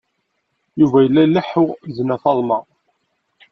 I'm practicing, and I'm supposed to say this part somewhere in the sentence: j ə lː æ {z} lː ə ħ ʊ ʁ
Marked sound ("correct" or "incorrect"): incorrect